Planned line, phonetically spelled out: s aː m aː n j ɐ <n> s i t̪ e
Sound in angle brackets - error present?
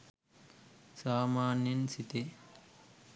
no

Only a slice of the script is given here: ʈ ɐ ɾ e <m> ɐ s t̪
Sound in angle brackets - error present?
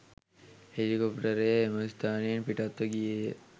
no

